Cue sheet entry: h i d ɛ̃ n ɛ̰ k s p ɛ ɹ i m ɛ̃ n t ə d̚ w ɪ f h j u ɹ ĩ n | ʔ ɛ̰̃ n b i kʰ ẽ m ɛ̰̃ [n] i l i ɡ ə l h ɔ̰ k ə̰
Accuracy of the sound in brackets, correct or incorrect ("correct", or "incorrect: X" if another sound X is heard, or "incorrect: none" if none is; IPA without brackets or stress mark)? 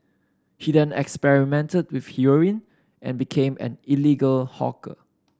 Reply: correct